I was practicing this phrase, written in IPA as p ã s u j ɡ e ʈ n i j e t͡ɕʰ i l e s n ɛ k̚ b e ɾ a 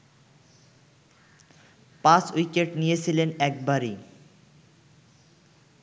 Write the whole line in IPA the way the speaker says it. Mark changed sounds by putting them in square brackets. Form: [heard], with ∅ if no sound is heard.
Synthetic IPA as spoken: p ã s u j [k] e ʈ n i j e t͡ɕʰ i l e [∅] n ɛ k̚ b [a] ɾ [i]